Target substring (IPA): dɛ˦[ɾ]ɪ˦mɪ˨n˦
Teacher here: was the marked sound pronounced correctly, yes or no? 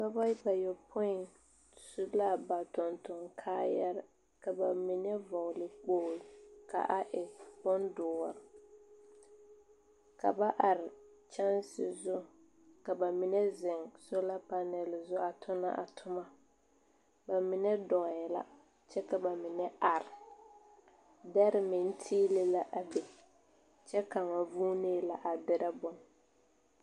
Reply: yes